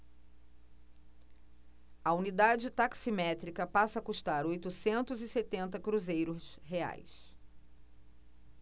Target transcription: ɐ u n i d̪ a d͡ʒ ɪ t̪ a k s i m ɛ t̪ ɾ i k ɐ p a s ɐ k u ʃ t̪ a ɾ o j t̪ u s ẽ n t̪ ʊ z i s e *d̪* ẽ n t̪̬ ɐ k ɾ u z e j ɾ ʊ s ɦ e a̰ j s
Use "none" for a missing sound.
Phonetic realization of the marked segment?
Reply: t̪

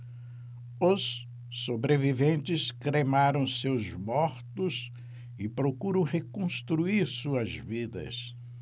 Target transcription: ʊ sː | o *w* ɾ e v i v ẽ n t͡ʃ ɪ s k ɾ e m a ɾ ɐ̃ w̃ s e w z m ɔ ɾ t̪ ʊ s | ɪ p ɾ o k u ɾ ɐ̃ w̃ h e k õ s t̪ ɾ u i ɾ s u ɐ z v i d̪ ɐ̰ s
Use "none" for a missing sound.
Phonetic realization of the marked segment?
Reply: b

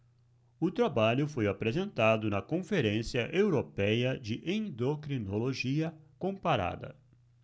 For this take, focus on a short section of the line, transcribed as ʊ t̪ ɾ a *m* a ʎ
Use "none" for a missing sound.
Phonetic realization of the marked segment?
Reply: b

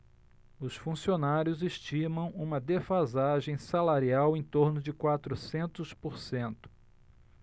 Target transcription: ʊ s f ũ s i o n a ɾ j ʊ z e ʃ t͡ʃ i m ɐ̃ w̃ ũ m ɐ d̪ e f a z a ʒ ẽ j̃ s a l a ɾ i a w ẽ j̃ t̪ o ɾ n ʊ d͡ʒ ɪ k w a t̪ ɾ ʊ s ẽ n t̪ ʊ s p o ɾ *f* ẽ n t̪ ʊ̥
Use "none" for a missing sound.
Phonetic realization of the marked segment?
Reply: s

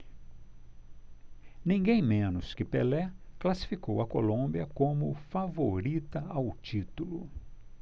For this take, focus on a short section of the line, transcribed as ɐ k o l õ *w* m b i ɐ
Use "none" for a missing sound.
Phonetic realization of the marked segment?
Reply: none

